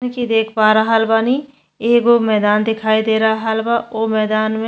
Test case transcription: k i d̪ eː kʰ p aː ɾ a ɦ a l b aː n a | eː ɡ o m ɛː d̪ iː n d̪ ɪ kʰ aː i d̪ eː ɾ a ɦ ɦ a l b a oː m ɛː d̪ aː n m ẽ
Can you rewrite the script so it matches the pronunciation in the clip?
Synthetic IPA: k i d̪ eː kʰ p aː ɾ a ɦ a l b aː n i | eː ɡ o m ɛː d̪ aː n d̪ ɪ kʰ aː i d̪ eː ɾ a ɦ ɦ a l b a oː m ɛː d̪ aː n m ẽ